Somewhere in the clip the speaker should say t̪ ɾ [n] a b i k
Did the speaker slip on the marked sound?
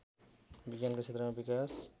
yes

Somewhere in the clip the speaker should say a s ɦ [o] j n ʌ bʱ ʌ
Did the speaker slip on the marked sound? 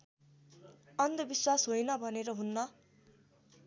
no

